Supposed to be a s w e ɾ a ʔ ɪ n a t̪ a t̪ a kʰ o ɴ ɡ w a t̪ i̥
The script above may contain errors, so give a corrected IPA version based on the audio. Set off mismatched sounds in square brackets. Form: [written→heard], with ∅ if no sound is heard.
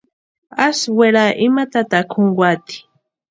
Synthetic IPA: a s w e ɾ a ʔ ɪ [n→m] a t̪ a t̪ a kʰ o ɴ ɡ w a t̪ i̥